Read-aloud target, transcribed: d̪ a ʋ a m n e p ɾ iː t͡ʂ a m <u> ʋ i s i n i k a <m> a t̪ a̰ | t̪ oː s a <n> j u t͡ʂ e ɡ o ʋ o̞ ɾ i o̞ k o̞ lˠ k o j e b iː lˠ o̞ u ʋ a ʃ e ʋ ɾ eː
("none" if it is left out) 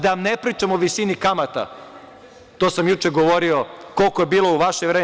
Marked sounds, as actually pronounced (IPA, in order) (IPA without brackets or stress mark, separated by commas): o, m, m